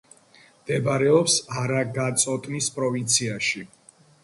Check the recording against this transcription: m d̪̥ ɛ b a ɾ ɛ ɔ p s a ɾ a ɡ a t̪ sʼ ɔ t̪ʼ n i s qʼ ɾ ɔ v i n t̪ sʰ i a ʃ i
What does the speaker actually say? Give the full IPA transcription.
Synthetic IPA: m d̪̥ ɛ b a ɾ ɛ ɔ p s a ɾ a ɡ a t̪ sʼ ɔ t̪ʼ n i s pʼ ɾ ɔ v i n t̪ sʰ i a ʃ i